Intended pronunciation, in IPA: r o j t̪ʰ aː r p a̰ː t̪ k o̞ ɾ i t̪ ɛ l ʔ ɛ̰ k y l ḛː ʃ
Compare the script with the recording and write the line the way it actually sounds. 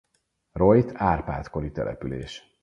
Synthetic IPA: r o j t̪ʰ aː r p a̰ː t̪ k o̞ ɾ i t̪ ɛ l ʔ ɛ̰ p y l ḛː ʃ